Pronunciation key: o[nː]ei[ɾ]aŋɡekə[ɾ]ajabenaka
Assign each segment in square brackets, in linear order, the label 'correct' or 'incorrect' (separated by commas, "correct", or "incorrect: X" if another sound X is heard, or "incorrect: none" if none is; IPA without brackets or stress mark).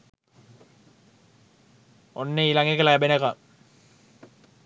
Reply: correct, incorrect: l, incorrect: l